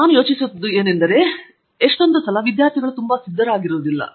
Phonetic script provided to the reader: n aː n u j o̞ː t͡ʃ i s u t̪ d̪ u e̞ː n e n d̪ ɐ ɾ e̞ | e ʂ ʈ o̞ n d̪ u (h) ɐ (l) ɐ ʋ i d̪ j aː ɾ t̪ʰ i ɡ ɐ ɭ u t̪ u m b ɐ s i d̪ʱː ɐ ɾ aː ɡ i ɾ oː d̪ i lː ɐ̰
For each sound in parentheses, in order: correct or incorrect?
incorrect: s, correct

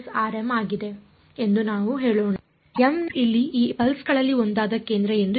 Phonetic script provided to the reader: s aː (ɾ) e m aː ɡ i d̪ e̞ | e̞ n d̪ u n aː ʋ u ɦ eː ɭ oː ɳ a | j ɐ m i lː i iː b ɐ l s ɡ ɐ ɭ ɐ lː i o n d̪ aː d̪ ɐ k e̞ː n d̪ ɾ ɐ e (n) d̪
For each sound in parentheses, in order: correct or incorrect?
correct, correct

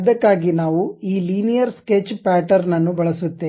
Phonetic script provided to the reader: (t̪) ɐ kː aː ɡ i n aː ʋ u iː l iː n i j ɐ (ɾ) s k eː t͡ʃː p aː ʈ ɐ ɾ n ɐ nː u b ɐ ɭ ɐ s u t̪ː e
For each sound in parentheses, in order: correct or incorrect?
incorrect: d̪, correct

